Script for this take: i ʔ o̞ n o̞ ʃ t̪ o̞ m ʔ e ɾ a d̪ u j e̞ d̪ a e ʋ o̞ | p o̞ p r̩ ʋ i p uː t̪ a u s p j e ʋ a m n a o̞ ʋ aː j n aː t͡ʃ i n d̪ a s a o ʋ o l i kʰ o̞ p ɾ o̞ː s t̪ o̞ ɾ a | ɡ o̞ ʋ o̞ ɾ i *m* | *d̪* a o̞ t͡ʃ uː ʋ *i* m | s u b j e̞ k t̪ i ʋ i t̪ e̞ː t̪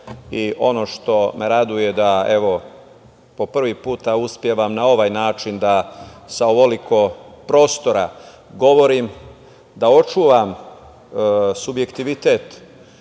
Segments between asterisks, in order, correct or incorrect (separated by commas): correct, correct, incorrect